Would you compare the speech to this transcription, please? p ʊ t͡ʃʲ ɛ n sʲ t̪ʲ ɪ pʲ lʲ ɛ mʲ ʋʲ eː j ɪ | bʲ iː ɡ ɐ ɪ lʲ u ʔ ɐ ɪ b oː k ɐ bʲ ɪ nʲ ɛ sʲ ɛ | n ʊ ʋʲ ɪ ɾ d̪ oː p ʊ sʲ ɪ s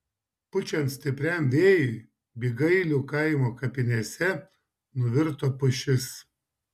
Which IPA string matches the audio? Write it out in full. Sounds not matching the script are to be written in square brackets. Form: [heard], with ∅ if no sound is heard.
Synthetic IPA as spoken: p ʊ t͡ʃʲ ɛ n sʲ t̪ʲ ɪ pʲ [ɾʲ] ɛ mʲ ʋʲ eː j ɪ | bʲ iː ɡ ɐ ɪ lʲ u [k] ɐ ɪ [m] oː k ɐ [pʲ] ɪ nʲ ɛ sʲ ɛ | n ʊ ʋʲ ɪ ɾ [t̪] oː p ʊ [ʃʲ] ɪ s